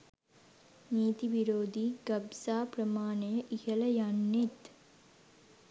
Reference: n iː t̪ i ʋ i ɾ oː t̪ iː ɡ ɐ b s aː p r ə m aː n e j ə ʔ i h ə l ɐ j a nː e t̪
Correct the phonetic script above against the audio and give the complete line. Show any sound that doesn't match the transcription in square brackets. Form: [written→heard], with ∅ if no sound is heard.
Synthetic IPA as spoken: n iː t̪ i ʋ i ɾ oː [t̪→d̪] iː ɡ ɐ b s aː p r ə m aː n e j ə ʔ i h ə l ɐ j a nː e t̪